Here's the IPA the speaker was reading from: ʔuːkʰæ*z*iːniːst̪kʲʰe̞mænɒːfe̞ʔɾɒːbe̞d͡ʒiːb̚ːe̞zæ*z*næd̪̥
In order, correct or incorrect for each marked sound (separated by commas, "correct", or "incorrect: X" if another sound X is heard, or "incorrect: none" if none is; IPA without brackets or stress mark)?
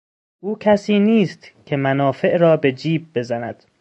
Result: incorrect: s, incorrect: none